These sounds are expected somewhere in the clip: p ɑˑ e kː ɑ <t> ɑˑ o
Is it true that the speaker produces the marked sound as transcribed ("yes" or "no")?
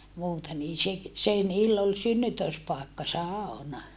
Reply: no